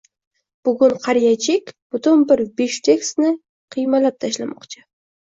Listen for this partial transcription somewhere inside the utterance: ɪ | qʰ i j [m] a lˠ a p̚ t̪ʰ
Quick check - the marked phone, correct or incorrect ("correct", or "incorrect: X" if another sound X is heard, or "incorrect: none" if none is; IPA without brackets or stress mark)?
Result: correct